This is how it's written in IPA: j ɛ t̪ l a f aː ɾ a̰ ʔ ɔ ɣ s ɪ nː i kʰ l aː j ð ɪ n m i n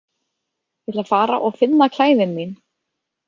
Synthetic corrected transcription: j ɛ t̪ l a f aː ɾ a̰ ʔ ɔ ɣ f ɪ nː a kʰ l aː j ð ɪ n m i n